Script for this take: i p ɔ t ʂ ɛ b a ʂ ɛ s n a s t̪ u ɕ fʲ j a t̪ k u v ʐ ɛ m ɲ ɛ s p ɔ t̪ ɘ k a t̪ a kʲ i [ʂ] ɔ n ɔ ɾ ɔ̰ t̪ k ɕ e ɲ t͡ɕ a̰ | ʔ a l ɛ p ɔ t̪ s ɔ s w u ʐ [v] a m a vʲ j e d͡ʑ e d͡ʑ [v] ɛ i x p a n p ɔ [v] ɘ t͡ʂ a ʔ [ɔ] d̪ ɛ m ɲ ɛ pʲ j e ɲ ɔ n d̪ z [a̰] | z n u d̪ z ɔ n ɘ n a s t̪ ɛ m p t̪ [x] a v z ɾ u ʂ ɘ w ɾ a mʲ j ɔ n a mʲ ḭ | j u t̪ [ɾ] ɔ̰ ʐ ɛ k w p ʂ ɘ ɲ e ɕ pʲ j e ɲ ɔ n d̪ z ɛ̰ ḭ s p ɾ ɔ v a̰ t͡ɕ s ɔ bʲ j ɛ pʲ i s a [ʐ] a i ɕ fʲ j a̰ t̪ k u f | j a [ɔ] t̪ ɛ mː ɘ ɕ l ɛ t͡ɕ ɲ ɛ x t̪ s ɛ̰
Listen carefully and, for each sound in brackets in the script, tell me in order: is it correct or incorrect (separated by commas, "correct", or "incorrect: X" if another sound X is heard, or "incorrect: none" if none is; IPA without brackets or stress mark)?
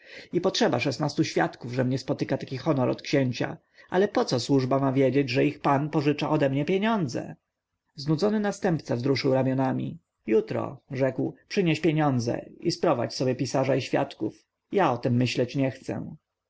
incorrect: x, incorrect: b, incorrect: ʐ, incorrect: ʐ, correct, incorrect: ɛ̰, incorrect: s, correct, correct, correct